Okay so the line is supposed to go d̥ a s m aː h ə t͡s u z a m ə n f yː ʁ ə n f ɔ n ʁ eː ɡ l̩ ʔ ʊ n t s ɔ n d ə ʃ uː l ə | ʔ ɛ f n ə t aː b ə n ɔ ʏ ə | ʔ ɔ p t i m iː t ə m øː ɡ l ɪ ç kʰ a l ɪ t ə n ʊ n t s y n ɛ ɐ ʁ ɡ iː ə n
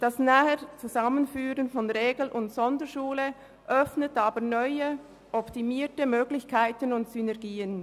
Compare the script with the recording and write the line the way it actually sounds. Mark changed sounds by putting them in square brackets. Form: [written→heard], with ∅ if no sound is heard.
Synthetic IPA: d̥ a s [m→n] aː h ə t͡s u z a m ə n f yː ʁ ə n f ɔ n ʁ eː ɡ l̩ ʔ ʊ n t s ɔ n d ə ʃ uː l ə | ʔ [ɛ→œ] f n ə t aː b ə n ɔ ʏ ə | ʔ ɔ p t i m iː t ə m øː ɡ l ɪ ç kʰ a [l→∅] ɪ t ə n ʊ n t s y n ɛ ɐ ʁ ɡ iː ə n